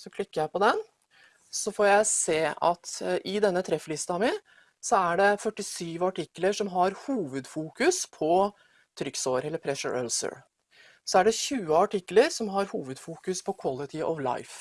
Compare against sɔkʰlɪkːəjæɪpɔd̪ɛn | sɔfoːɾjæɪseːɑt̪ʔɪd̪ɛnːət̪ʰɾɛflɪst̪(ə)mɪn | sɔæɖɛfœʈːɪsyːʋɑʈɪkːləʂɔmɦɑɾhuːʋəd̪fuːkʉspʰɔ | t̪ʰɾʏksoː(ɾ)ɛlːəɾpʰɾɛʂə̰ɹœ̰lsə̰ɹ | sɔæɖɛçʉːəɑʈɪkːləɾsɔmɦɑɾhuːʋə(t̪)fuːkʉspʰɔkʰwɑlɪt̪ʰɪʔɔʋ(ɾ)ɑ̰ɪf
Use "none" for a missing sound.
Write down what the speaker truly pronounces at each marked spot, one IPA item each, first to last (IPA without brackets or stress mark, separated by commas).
ɑ, ɾ, d̪, l